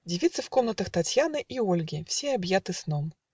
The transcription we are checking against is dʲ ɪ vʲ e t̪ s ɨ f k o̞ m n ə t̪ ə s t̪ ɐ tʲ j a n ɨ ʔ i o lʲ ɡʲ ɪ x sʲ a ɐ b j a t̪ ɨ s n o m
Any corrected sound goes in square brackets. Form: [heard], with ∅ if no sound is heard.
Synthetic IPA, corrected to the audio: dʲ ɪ vʲ [i] t̪ s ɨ f k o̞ m n ə t̪ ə [x] t̪ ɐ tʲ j a n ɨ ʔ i o lʲ ɡʲ ɪ [f] sʲ [e] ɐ b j a t̪ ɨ s n o m